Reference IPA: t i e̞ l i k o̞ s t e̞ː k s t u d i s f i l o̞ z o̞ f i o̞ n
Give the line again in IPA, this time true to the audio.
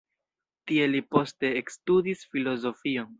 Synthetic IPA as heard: t i e̞ l i p o̞ s t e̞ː k s t u d i s f i l o̞ z o̞ f i o̞ n